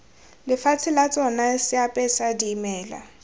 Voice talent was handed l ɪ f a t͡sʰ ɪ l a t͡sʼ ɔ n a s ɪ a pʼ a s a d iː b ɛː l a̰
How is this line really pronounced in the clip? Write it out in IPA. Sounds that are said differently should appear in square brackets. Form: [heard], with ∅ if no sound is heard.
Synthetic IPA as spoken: l ɪ f a t͡sʰ ɪ l a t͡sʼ ɔ n a s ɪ a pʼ [ɛ] s a d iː [m] ɛː l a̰